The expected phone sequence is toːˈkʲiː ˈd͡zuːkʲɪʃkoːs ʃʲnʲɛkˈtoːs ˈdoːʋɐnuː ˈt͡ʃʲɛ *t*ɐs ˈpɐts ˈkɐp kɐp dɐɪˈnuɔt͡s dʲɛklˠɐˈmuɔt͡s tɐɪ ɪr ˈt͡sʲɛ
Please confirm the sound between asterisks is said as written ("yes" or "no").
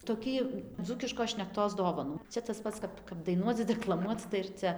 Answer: yes